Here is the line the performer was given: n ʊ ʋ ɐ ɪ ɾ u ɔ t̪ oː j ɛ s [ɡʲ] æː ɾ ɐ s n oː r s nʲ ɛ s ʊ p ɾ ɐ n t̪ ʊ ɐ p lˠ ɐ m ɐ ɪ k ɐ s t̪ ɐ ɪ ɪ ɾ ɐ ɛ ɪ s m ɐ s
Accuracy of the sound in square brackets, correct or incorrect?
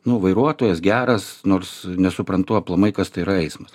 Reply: correct